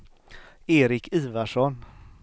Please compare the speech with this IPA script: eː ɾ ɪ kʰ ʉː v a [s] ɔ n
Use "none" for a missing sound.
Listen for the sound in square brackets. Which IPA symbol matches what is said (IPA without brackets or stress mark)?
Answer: ʂ